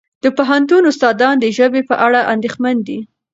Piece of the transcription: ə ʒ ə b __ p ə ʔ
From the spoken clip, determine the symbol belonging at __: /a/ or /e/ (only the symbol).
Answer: e